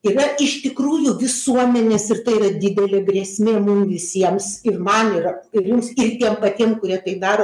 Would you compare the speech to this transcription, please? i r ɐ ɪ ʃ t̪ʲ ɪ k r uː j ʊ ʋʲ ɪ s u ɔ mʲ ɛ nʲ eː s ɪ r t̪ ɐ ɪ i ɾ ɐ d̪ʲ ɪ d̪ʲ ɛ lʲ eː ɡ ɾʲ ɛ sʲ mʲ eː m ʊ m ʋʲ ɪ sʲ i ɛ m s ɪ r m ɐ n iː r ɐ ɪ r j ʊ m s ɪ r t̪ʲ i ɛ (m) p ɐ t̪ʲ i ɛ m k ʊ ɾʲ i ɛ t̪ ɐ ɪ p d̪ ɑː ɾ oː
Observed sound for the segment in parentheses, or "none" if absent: m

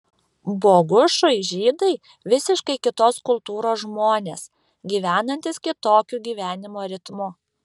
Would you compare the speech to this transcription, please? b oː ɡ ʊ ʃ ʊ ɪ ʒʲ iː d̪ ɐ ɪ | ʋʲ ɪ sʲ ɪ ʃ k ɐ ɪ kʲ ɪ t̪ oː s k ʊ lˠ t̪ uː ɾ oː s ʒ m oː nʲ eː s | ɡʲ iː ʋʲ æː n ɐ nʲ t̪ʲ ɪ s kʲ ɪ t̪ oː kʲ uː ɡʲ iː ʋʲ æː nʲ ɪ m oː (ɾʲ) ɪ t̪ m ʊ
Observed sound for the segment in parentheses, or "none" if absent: ɾʲ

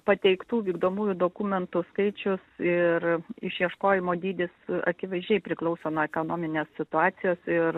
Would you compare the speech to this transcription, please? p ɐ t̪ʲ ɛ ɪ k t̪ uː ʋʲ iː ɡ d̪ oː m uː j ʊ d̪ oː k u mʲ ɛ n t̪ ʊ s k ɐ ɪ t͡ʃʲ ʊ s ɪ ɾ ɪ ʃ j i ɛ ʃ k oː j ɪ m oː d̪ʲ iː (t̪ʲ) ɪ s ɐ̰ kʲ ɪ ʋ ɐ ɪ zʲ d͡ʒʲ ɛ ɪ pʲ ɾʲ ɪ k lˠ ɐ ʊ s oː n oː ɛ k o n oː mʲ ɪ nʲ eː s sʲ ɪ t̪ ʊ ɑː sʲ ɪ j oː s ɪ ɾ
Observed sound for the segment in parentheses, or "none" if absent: d̪ʲ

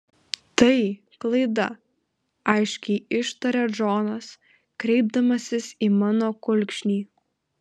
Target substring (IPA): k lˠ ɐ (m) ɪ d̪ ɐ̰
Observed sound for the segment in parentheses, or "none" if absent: none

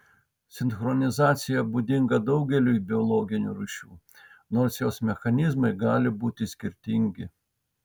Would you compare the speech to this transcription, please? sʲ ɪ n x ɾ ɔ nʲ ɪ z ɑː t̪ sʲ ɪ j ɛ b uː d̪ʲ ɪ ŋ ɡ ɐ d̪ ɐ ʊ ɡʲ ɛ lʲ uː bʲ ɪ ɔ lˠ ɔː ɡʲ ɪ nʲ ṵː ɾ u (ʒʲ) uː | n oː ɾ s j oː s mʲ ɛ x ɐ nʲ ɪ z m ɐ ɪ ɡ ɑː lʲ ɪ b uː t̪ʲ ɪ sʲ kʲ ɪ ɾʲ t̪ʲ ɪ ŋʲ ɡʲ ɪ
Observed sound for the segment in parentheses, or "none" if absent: ʃʲ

